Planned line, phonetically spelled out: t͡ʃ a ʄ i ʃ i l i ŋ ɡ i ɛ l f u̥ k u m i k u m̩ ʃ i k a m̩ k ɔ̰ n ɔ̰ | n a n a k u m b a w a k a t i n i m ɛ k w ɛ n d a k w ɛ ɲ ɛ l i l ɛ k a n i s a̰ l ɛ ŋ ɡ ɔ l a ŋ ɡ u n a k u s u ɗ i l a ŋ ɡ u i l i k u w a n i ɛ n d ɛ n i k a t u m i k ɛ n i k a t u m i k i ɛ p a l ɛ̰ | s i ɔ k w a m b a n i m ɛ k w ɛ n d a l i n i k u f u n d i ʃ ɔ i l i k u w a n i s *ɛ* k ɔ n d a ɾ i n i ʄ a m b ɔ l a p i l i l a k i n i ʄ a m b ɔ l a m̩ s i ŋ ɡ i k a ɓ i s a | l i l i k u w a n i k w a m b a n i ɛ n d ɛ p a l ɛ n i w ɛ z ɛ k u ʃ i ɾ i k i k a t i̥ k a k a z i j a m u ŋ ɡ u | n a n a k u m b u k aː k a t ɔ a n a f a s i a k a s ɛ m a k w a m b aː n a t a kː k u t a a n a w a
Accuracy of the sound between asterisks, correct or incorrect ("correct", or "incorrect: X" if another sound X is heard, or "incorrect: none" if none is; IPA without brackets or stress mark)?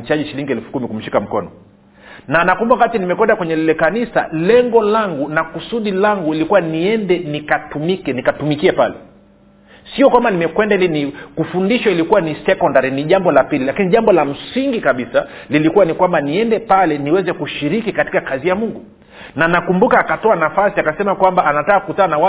correct